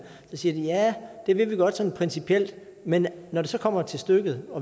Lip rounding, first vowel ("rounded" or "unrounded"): rounded